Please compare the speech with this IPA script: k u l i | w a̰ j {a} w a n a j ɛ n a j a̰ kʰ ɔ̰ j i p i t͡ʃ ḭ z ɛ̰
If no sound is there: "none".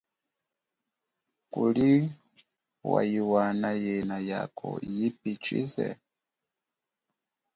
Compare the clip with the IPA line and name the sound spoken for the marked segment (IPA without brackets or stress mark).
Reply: i